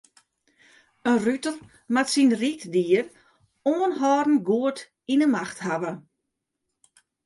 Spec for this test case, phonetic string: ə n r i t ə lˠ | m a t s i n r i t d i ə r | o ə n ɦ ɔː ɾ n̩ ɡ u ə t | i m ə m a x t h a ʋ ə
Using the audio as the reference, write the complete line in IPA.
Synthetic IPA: ə n r y t ə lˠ | m a t s i n r i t d i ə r | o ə n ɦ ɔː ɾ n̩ ɡ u ə t | i n ə m a x t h a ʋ ə